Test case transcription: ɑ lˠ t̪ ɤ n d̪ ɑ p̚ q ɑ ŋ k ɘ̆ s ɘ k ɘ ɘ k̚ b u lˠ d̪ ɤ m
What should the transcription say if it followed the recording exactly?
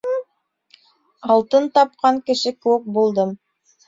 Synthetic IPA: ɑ lˠ t̪ ɤ n t̪ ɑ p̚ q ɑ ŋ k ɘ̆ ʃ ɘ k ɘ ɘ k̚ b u lˠ d̪ ɤ m